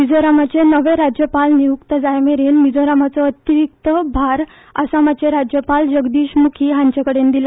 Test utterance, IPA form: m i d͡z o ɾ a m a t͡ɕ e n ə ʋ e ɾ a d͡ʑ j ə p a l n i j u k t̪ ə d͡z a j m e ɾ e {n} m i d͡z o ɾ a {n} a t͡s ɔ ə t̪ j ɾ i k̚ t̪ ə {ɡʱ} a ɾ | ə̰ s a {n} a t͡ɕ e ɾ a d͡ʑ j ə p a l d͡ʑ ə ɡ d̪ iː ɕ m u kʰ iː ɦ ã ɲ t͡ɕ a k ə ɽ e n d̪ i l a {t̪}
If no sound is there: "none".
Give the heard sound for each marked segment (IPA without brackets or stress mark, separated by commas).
n, m, bʱ, m, none